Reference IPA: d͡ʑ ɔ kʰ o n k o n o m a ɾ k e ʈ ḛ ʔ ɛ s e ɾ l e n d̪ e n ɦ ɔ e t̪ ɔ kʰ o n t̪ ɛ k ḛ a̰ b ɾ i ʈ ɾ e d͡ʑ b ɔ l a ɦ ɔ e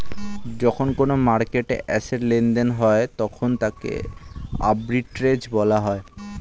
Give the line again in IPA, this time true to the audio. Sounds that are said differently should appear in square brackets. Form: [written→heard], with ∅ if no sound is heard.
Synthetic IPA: d͡ʑ ɔ kʰ o n k o n o m a ɾ k e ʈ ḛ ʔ ɛ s e ɾ l e n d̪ e n ɦ ɔ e t̪ ɔ kʰ o n t̪ [ɛ→a] k ḛ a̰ b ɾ i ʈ ɾ e d͡ʑ b ɔ l a ɦ ɔ e